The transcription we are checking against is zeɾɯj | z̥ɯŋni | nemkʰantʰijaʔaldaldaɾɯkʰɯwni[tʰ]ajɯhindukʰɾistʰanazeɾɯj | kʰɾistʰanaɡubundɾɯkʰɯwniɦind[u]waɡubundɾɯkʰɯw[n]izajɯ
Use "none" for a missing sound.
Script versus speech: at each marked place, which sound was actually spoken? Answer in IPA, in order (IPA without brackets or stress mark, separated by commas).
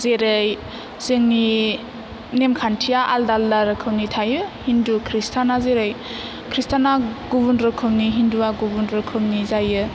tʰ, u, n